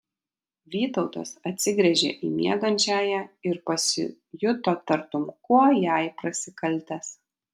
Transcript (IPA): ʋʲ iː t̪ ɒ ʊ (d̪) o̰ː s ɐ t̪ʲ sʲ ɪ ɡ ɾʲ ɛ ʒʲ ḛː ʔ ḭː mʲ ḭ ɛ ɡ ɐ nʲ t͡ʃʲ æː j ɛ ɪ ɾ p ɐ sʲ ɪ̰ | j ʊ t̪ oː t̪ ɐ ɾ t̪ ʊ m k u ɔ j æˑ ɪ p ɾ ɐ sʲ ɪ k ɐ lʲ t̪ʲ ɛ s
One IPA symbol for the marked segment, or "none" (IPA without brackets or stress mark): t̪